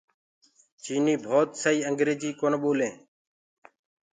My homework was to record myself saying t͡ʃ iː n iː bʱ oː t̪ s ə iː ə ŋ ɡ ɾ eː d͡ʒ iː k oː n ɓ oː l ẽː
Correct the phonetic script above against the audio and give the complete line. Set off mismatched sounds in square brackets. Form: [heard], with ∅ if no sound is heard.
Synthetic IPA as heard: t͡ʃ iː n iː bʱ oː t̪ s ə iː ə ŋ ɡ ɾ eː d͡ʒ iː k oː n ɓ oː l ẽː